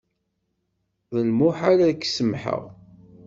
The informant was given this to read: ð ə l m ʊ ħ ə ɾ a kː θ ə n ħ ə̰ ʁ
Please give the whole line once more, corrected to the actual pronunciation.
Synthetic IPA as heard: ð ə l m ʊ ħ a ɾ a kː s ə m ħ ə̰ ʁ